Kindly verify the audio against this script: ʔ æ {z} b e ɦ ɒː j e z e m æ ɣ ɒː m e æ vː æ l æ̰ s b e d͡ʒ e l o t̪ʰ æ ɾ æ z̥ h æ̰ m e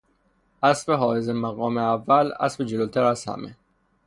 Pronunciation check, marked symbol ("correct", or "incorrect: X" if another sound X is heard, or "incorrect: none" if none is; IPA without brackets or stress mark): incorrect: s